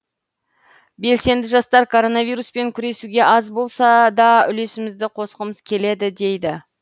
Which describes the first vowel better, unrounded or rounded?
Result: unrounded